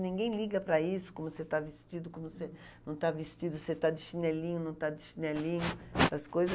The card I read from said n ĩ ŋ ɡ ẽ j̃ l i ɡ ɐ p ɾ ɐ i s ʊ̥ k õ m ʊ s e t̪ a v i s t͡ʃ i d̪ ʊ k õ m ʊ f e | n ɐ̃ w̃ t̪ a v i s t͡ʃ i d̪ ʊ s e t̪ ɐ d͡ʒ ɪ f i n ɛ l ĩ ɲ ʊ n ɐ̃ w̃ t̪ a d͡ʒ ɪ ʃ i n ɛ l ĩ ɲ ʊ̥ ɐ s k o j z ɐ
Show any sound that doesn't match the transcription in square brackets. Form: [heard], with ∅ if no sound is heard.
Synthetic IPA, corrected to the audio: n ĩ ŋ ɡ ẽ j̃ l i ɡ ɐ p ɾ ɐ i s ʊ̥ k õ m ʊ s e t̪ a v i s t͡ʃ i d̪ ʊ k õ m ʊ [s] e | n ɐ̃ w̃ t̪ a v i s t͡ʃ i d̪ ʊ s e t̪ [a] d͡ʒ ɪ [ʃ] i n ɛ l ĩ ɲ ʊ n ɐ̃ w̃ t̪ a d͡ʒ ɪ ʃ i n ɛ l ĩ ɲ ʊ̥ ɐ s k o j z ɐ